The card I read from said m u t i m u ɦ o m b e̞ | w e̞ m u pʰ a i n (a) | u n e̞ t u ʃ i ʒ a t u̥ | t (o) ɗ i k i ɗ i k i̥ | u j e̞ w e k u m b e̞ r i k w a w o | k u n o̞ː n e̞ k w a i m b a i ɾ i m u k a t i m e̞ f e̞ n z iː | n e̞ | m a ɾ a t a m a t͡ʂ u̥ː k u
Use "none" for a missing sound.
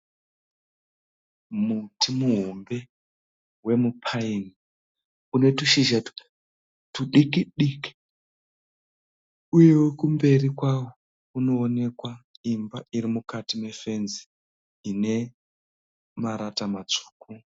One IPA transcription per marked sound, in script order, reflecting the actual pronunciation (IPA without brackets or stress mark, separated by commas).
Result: i, u